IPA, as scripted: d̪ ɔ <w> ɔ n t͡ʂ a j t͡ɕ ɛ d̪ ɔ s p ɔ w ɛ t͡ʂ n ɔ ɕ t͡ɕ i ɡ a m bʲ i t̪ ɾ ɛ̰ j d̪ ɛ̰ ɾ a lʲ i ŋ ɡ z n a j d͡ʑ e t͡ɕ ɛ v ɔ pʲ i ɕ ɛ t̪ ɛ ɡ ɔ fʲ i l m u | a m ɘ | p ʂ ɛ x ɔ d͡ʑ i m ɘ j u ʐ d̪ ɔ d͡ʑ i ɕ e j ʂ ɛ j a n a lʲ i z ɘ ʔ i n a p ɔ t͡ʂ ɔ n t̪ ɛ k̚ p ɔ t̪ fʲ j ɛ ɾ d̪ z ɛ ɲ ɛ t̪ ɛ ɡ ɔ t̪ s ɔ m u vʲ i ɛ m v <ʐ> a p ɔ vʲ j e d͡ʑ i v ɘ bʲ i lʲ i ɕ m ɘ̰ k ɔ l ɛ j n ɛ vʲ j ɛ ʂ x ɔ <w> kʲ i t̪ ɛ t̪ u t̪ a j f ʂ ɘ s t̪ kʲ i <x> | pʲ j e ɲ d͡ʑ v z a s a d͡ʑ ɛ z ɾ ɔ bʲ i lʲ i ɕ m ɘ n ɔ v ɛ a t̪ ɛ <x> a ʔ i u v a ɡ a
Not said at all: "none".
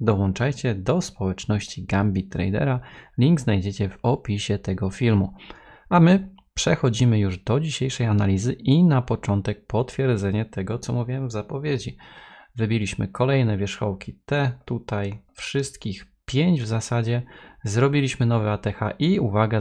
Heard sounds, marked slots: w, z, w, x, x

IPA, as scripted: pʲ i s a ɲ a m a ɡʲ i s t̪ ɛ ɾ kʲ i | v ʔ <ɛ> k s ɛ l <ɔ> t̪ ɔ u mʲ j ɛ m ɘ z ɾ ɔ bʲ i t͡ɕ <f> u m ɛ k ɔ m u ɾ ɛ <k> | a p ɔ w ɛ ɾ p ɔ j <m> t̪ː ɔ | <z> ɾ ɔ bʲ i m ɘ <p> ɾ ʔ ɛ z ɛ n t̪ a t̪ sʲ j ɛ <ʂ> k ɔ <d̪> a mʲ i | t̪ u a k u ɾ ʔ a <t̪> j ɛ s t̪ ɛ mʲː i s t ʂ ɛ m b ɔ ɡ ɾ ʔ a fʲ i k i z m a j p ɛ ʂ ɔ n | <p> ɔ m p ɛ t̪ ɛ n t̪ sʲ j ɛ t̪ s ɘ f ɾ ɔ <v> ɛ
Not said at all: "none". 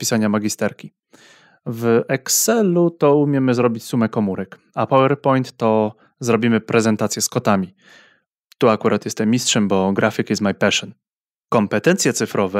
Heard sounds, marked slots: ɛ, u, s, k, n, z, p, s, t̪, t̪, k, v

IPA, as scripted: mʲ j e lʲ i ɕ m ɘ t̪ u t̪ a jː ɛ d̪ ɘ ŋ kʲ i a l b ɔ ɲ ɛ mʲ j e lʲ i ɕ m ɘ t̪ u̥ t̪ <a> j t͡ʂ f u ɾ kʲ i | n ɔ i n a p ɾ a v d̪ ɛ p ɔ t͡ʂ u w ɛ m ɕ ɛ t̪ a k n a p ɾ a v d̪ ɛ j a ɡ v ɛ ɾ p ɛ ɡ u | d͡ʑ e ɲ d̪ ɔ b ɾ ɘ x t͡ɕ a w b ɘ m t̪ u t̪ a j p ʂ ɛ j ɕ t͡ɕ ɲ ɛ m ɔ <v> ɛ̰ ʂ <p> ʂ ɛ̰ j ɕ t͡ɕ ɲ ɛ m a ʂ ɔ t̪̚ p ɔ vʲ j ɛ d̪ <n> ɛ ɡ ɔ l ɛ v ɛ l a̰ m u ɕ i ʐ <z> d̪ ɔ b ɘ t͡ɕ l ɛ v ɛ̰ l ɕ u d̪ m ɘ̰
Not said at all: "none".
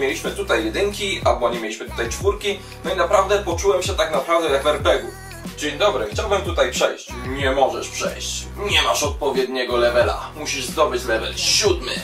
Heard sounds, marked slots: a, ʐ, p, ɲ, z

